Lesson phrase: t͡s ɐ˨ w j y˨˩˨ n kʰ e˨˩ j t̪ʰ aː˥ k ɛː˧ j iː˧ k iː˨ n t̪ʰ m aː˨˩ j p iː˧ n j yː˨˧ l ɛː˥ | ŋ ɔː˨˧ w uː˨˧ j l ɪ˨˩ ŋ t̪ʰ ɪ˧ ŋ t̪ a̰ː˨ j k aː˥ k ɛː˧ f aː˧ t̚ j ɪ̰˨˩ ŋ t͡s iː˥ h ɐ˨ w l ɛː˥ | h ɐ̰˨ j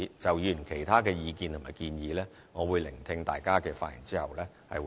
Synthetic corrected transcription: t͡s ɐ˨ w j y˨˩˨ n kʰ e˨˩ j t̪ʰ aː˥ k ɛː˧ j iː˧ k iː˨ n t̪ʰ m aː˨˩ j k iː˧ n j iː˨˧ l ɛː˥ | ŋ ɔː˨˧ w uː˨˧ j l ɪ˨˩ ŋ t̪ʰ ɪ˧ ŋ t̪ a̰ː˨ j k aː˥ k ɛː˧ f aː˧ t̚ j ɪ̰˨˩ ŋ t͡s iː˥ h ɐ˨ w l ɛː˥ | h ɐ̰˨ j